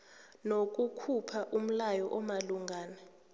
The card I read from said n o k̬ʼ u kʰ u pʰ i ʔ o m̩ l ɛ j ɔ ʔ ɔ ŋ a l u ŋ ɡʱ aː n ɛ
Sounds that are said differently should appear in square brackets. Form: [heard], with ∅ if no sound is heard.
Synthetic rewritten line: n o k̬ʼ u kʰ u pʰ [a] ʔ [u] m̩ l [a] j ɔ ʔ ɔ [m] a l u ŋ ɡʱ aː n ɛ